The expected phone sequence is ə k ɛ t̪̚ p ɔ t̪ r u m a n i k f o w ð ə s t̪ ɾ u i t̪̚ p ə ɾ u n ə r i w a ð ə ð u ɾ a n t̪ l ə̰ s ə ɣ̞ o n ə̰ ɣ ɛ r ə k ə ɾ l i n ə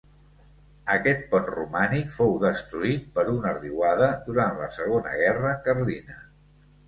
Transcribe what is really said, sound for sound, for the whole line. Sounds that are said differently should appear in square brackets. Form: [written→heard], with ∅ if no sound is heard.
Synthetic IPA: ə k ɛ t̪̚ p ɔ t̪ r u m a n i k f o w ð ə s t̪ ɾ u i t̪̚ p ə ɾ u n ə r i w a ð ə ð u ɾ a n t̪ l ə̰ s ə ɣ̞ o n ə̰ ɣ ɛ r ə k ə ɾ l i n ə